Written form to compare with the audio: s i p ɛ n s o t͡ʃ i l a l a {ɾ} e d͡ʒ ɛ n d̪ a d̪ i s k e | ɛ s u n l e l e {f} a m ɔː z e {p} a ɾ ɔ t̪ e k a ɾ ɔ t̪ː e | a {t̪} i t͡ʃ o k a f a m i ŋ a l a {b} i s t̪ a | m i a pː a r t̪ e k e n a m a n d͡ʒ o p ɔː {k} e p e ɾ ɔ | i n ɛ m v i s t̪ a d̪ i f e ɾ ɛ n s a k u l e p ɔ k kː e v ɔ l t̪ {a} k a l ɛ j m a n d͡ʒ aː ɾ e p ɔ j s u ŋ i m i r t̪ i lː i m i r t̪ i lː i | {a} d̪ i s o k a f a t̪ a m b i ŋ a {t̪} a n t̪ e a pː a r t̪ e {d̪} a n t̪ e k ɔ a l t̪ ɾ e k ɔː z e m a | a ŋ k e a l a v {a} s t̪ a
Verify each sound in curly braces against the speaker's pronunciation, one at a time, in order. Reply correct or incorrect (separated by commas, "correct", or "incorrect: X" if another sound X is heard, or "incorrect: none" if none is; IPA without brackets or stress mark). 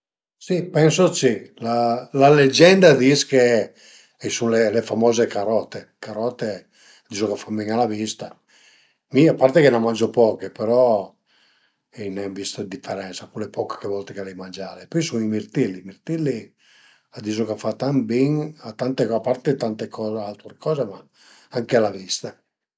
incorrect: l, correct, incorrect: k, incorrect: d̪, incorrect: v, correct, incorrect: e, correct, correct, incorrect: t̪, incorrect: i